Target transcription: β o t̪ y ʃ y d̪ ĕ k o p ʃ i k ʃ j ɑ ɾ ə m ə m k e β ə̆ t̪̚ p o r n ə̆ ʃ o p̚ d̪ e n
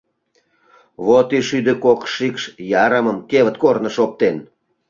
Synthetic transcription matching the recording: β o t̪ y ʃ y d̪ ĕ k o k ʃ i k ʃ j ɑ ɾ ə m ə m k e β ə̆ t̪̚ k o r n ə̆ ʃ o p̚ t̪ e n

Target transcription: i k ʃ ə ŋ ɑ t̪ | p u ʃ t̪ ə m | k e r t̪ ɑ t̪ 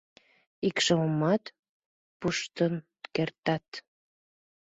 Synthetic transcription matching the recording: i k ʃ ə m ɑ t̪ | p u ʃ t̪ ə n | k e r t̪ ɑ t̪

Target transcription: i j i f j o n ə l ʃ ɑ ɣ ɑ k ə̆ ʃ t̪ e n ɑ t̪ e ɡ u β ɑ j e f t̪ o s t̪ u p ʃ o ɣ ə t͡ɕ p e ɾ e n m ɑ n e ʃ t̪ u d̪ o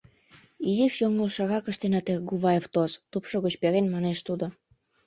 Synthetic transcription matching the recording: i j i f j o ŋ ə l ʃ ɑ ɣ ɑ k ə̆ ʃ t̪ e n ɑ t̪ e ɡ u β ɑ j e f t̪ o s t̪ u p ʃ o ɣ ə t͡ɕ p e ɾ e n m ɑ n e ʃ t̪ u d̪ o

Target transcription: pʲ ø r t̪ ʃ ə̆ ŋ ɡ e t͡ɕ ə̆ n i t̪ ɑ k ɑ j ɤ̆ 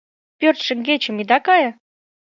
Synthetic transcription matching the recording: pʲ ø r t̪ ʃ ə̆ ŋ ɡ e t͡ɕ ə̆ m i d̪ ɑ k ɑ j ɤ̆

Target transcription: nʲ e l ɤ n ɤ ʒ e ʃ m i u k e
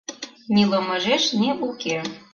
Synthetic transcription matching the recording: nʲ i l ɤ m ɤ ʒ e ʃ n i u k e

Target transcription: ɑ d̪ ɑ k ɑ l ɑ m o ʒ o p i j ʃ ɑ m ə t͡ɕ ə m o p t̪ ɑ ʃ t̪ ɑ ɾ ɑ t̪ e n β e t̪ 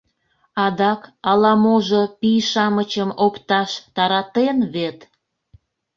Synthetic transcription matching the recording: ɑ d̪ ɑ k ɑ l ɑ m o ʒ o p i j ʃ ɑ m ə t͡ɕ ə m o p t̪ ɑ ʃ t̪ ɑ ɾ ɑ t̪ e n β e t̪

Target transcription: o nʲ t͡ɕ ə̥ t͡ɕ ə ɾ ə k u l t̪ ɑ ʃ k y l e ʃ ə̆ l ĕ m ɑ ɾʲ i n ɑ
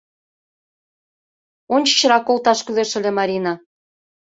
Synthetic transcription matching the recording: o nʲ t͡ɕ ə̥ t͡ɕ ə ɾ ɑ k o l t̪ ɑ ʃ k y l e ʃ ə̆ l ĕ m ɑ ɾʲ i n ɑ

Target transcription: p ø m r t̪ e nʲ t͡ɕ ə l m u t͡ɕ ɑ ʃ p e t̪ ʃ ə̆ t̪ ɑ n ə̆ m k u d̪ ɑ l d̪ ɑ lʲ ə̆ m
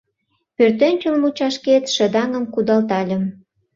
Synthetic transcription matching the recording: p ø r t̪ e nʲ t͡ɕ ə l m u t͡ɕ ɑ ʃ k e t̪ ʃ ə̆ d̪ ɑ ŋ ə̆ m k u d̪ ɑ l t̪ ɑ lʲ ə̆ m

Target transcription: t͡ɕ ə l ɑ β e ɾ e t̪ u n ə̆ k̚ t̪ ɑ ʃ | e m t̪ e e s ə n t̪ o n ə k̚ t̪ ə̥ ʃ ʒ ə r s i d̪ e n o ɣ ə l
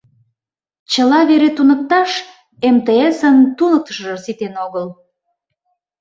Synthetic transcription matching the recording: t͡ɕ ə l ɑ β e ɾ e t̪ u n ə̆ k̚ t̪ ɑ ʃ | e m t̪ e e s ə n t̪ u n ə k̚ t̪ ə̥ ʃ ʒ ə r s i t̪ e n o ɣ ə l

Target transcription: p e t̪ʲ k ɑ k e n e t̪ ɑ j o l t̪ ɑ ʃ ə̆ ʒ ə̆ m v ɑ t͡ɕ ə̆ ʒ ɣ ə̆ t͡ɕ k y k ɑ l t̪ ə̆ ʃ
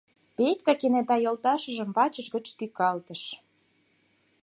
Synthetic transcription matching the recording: p e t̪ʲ k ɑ k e n e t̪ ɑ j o l t̪ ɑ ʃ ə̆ ʒ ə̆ m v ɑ t͡ɕ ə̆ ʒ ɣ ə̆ t͡ɕ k y k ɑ l t̪ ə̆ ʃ

